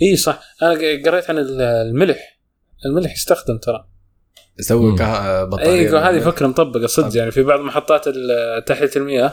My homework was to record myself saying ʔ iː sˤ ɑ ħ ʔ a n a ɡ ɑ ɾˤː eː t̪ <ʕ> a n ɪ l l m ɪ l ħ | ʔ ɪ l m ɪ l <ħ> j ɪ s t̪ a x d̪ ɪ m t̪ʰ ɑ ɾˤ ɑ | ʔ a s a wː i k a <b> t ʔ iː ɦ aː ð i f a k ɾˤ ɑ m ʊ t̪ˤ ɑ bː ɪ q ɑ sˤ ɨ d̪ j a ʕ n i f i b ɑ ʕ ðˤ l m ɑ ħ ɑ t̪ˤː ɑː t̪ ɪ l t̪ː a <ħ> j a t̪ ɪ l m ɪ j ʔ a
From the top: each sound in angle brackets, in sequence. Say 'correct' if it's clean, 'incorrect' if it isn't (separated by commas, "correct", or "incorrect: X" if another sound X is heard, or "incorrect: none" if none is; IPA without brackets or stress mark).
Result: correct, correct, correct, correct